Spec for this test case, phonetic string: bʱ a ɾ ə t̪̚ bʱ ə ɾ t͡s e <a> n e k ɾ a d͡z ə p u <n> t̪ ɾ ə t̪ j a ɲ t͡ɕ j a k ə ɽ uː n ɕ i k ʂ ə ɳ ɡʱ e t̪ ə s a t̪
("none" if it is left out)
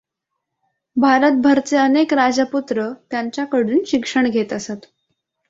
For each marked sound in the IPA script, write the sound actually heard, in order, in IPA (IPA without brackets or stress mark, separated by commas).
ə, none